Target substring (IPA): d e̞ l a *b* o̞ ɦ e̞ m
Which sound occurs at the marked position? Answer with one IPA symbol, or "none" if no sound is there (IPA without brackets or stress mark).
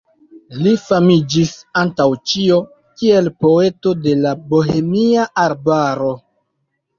b